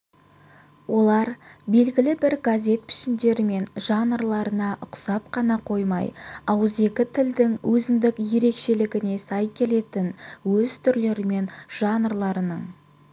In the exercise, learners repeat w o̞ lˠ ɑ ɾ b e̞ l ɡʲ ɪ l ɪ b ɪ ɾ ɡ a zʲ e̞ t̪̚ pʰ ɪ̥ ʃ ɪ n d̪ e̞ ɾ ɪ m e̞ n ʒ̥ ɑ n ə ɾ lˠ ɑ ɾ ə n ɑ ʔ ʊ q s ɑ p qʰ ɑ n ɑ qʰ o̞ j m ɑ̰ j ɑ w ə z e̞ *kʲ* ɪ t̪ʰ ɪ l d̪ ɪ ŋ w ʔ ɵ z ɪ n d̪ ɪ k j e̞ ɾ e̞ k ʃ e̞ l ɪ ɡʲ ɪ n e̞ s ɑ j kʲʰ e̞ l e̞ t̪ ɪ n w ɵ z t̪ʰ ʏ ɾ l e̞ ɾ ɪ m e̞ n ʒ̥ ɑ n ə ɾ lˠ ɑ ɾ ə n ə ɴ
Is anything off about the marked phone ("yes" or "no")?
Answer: no